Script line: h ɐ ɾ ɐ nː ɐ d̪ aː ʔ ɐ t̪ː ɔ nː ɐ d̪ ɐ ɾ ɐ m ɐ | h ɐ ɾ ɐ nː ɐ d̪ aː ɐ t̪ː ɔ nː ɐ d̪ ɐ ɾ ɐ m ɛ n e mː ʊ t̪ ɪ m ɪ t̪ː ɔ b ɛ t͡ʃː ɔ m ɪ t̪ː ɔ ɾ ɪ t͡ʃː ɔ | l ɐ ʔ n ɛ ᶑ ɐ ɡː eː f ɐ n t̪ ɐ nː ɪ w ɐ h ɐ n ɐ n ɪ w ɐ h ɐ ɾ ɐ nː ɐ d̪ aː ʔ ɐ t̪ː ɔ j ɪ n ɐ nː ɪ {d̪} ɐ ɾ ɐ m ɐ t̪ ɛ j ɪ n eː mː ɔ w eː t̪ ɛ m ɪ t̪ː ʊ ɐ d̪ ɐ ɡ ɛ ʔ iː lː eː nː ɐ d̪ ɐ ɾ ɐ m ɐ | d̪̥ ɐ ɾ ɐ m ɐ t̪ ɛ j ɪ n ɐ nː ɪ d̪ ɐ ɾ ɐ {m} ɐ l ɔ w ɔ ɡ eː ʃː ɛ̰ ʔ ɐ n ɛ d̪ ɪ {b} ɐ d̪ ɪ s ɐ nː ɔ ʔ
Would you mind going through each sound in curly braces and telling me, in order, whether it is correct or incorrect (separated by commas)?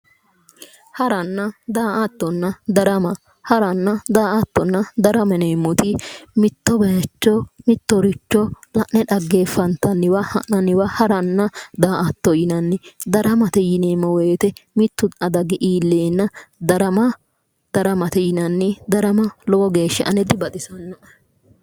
correct, correct, correct